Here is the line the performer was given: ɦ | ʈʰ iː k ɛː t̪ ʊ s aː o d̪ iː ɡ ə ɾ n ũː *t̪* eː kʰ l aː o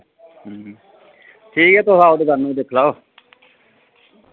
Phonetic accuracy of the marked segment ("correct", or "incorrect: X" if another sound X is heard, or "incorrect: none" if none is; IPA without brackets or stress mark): incorrect: d̪